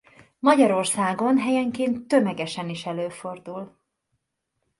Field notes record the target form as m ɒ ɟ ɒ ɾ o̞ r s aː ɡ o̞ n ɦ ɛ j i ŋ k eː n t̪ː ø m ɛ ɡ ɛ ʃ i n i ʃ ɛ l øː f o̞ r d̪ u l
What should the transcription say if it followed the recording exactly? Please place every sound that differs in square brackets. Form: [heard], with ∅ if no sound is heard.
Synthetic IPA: m ɒ ɟ ɒ ɾ o̞ r s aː ɡ o̞ n ɦ ɛ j [ɛ] ŋ k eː n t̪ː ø m ɛ ɡ ɛ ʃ [ɛ] n i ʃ ɛ l øː f o̞ r d̪ u l